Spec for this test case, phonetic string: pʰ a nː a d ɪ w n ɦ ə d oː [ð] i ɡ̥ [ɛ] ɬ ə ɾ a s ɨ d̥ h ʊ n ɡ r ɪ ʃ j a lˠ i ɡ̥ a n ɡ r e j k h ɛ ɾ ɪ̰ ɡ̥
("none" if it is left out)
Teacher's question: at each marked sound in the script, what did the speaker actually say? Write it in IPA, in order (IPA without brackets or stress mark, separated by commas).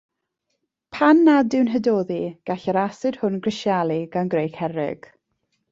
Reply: ð, a